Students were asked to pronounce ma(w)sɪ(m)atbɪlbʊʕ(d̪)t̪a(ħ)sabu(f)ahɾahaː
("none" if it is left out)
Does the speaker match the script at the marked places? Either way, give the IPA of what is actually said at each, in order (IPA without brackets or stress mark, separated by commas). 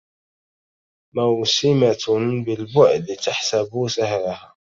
w, m, d̪, ħ, s